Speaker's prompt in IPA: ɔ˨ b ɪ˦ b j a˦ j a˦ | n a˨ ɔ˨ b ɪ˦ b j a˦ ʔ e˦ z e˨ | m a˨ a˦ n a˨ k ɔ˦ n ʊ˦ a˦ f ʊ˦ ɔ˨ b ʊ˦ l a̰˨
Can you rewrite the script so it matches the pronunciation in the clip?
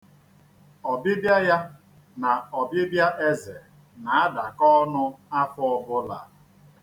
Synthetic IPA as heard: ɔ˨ b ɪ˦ b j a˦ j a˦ | n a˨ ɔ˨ b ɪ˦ b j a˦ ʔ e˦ z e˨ | n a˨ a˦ d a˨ k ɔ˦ n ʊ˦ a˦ f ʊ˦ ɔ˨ b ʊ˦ l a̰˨

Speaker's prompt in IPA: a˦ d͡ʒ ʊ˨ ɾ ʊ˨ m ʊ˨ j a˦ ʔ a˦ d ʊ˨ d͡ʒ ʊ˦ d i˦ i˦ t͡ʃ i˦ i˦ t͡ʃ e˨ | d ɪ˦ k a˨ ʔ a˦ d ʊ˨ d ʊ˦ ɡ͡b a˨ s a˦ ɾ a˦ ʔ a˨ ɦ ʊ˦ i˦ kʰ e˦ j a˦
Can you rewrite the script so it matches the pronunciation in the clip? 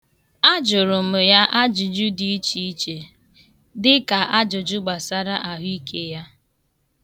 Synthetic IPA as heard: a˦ d͡ʒ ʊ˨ ɾ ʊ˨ m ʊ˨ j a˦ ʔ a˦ d͡ʒ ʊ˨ d͡ʒ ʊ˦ d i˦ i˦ t͡ʃ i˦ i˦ t͡ʃ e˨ | d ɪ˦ k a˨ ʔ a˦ d͡ʒ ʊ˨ d͡ʒ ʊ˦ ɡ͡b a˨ s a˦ ɾ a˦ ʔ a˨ ɦ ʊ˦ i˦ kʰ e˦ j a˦

